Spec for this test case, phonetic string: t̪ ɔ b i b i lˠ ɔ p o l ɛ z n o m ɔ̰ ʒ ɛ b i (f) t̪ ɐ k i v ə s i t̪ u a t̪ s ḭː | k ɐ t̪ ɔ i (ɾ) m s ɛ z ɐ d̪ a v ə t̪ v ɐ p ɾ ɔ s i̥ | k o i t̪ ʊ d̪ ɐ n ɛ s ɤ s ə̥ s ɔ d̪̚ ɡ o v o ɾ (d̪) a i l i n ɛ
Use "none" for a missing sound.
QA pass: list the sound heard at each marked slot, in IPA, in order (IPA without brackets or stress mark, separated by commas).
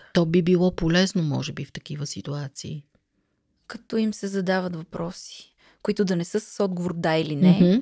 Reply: f, none, d̪